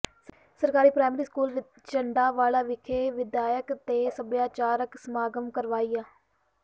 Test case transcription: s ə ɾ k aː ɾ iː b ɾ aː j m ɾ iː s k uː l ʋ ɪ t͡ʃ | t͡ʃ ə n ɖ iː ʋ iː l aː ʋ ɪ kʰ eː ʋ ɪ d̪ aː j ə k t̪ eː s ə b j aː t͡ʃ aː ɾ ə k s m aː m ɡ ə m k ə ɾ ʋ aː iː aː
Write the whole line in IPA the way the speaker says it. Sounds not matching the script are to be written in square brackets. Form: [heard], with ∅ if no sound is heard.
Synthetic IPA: s ə ɾ k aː ɾ iː [p] ɾ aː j m ɾ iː s k uː l ʋ ɪ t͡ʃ | t͡ʃ ə [ɳ] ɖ [aː] ʋ [aː] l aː ʋ ɪ kʰ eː ʋ ɪ d̪ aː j ə k t̪ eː s ə b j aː t͡ʃ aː ɾ ə k s m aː [∅] ɡ ə m k ə ɾ ʋ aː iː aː